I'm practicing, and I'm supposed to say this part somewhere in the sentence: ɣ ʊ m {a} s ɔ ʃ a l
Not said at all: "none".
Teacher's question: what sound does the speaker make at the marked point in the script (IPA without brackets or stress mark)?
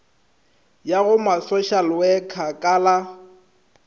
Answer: a